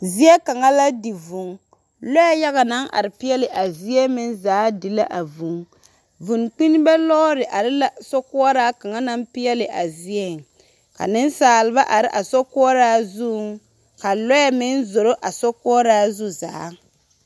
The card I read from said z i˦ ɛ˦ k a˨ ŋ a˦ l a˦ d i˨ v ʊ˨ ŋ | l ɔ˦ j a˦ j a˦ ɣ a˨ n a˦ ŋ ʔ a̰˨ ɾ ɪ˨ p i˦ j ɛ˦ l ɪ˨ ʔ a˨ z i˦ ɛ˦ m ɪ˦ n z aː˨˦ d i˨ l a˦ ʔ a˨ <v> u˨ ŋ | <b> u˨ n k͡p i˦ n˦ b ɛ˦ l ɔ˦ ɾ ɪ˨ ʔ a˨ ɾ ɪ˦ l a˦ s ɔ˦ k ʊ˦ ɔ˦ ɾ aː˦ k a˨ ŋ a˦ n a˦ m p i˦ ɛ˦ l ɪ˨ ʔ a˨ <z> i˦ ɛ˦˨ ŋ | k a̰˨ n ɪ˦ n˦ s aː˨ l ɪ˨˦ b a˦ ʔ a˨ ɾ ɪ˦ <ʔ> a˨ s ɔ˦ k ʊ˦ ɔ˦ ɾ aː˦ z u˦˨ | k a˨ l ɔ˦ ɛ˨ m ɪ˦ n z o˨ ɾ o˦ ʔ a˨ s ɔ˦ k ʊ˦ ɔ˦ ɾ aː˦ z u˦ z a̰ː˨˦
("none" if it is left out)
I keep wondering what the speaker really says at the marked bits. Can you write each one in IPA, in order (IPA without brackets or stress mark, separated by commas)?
v, v, z, ʔ